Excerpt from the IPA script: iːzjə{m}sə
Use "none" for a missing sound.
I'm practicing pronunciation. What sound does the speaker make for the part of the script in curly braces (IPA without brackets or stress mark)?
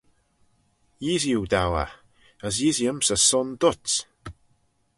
m